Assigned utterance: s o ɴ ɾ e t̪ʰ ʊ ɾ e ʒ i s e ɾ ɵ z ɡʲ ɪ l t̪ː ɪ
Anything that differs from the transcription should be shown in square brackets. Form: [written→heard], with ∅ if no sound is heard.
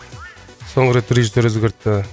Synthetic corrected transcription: s o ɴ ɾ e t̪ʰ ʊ ɾ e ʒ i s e ɾ ɵ z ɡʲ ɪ [l→ɾ] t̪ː ɪ